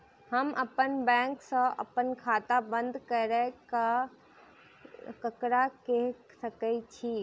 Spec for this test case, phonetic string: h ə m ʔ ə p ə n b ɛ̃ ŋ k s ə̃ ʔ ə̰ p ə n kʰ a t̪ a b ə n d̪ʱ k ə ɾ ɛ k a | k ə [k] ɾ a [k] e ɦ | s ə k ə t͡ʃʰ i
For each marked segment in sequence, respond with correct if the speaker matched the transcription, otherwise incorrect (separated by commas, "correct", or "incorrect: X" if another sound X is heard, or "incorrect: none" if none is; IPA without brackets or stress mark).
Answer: correct, correct